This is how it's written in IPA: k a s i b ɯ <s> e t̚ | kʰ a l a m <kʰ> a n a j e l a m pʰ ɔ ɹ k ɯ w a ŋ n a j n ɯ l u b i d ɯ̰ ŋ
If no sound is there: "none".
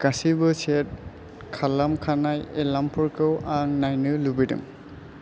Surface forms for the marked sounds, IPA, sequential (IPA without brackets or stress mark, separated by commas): s, kʰ